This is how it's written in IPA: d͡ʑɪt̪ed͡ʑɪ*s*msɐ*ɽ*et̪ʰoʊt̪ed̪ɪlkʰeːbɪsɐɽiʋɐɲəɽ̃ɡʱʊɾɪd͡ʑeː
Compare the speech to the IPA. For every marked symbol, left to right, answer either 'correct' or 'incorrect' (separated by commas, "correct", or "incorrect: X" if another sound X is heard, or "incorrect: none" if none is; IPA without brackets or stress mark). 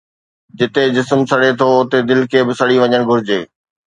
correct, correct